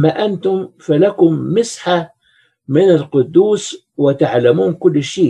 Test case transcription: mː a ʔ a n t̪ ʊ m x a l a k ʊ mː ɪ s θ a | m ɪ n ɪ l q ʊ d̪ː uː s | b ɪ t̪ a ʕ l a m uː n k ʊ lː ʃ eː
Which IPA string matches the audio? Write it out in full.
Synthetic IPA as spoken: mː a ʔ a n t̪ ʊ m f a l a k ʊ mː ɪ s ħ a | m ɪ n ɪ l q ʊ d̪ː uː s | w ɪ t̪ a ʕ l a m uː n k ʊ lː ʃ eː